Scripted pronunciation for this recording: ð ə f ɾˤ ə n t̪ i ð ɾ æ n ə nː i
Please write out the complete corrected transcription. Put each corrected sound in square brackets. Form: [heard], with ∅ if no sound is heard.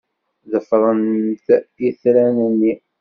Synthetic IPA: ð ə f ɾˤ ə n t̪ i [θ] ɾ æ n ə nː i

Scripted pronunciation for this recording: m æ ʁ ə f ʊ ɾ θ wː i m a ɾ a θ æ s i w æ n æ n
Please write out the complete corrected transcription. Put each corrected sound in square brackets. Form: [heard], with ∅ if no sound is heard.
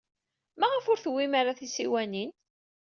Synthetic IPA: m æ ʁ ə f ʊ ɾ θ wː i m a ɾ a θ [i] s i w æ n [i] n

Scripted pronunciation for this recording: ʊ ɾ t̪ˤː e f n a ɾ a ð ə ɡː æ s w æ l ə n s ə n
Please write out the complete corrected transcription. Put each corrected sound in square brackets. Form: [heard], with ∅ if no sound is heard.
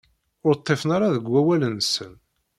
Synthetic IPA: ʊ ɾ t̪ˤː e f n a ɾ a ð ə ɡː æ [∅] w æ l ə n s ə n

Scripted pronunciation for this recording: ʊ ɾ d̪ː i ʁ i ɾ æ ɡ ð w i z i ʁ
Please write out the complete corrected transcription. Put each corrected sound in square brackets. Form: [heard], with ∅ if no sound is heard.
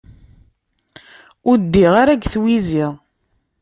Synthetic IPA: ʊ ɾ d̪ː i ʁ [a] ɾ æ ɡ [θ] w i z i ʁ

